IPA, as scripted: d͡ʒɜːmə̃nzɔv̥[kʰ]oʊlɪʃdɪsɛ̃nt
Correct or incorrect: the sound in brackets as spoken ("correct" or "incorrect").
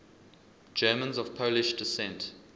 incorrect